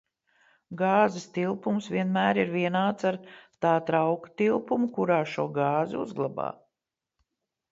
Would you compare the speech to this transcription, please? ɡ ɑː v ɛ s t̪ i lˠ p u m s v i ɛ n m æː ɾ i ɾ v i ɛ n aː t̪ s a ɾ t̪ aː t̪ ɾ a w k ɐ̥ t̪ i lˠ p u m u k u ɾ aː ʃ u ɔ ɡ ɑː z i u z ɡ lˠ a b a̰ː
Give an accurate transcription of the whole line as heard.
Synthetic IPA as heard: ɡ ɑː z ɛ s t̪ i lˠ p u m s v i ɛ n m æː ɾ i ɾ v i ɛ n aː t̪ s a ɾ t̪ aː t̪ ɾ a w k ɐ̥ t̪ i lˠ p u m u k u ɾ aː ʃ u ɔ ɡ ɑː z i u z ɡ lˠ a b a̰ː